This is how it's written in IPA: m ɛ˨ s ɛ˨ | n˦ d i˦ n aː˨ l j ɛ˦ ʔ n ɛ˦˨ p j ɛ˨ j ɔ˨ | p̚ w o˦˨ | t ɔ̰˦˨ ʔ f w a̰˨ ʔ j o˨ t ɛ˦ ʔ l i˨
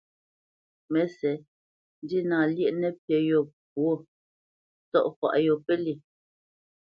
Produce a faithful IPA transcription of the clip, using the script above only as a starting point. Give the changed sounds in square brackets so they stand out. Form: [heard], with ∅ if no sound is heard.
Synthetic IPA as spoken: m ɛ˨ s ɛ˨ | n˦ d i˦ n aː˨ l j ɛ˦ ʔ n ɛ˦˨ p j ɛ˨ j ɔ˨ | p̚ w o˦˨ | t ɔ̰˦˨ ʔ f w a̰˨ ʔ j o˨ [p] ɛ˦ [∅] l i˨